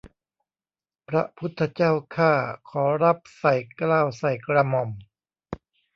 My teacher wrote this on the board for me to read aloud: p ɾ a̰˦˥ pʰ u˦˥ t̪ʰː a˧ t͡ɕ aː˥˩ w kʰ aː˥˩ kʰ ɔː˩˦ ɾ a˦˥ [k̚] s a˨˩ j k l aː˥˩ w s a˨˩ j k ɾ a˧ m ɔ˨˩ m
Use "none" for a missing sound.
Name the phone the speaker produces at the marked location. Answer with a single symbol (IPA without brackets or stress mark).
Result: p̚